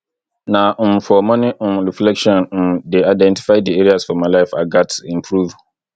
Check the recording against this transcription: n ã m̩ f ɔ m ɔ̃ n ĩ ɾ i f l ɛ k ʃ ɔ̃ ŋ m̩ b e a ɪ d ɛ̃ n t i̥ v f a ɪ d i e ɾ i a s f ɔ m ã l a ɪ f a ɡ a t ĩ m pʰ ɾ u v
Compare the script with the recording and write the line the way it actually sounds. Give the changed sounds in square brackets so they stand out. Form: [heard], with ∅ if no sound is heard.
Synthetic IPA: n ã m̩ f ɔ m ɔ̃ n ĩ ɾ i f l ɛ k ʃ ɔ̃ [n] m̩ [d] e a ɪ d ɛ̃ n t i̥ [∅] f a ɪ d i e ɾ i a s f ɔ m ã l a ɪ f a ɡ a t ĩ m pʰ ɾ u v